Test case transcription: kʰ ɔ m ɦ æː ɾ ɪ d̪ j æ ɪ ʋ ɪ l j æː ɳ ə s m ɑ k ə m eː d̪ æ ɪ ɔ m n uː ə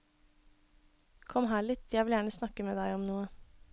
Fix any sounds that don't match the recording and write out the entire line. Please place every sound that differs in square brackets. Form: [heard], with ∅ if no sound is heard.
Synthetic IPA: kʰ ɔ m ɦ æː [ɭ] ɪ [t̪] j æ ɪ ʋ ɪ l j æː ɳ ə s [n] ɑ k ə m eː d̪ æ ɪ ɔ m n uː ə

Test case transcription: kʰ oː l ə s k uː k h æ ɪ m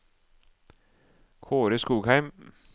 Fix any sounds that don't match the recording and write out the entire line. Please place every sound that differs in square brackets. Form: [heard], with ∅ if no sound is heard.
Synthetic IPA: kʰ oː [ɾ] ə s k uː [ɡ] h æ ɪ m

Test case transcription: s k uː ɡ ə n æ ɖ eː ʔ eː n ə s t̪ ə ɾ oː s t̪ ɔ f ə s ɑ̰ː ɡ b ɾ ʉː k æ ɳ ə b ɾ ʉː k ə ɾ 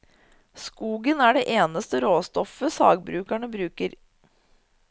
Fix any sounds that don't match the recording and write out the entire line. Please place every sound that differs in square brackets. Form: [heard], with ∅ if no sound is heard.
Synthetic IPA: s k uː ɡ ə n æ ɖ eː ʔ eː n ə s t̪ ə ɾ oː s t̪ ɔ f ə s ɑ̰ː ɡ b ɾ ʉː k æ ɳ ə b ɾ ʉː k ə ɾ

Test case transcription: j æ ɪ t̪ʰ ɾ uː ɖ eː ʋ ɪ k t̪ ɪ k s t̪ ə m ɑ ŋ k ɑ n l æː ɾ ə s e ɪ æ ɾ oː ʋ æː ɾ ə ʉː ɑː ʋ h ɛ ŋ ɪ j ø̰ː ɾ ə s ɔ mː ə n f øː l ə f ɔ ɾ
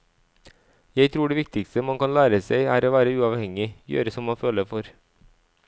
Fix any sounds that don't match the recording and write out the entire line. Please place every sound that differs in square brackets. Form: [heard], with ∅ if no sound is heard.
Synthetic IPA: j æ ɪ t̪ʰ ɾ uː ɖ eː ʋ ɪ k t̪ ɪ k s t̪ ə m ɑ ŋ k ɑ n l æː ɾ ə s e ɪ [æː] ɾ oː ʋ æː ɾ ə ʉː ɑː ʋ h ɛ ŋ ɪ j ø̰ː ɾ ə s ɔ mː [ɑ] n f øː l ə f ɔ ɾ

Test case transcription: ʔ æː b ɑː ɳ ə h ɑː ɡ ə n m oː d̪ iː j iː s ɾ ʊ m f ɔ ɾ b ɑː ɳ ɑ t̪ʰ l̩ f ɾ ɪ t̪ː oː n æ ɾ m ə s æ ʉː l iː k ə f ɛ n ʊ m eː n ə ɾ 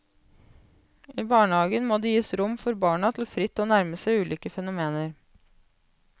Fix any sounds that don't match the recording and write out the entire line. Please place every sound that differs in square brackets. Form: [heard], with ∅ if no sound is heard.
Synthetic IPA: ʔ [iː] b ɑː ɳ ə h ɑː ɡ ə n m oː d̪ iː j iː s ɾ ʊ m f ɔ ɾ b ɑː ɳ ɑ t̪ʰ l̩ f ɾ ɪ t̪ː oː n æ ɾ m ə s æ ʉː l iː k ə f ɛ n ʊ m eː n ə ɾ

